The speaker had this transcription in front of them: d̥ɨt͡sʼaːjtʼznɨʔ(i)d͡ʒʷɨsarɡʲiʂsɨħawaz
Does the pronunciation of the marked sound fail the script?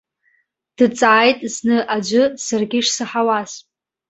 yes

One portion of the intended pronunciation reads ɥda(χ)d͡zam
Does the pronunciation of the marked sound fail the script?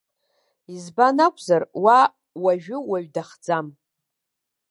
no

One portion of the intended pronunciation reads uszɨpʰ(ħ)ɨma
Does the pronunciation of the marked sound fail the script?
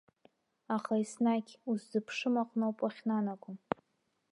yes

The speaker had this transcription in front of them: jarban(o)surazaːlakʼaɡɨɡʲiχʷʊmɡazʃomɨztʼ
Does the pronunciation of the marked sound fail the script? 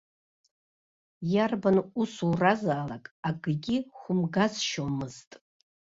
yes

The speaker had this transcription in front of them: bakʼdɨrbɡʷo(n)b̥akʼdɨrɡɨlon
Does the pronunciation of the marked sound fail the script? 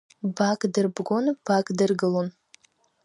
no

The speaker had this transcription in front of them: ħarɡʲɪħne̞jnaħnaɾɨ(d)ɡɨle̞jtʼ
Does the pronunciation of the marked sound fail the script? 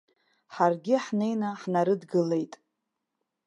no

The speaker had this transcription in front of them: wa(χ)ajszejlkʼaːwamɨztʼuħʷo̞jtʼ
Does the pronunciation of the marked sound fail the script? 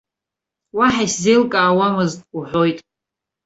yes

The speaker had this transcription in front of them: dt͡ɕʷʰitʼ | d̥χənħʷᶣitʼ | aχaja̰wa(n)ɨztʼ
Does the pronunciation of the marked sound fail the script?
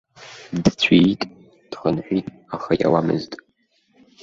yes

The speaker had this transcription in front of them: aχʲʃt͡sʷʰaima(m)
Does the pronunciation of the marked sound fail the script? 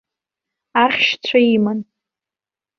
yes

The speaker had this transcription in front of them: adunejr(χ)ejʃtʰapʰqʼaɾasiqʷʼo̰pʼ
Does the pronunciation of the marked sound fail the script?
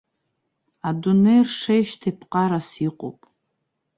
yes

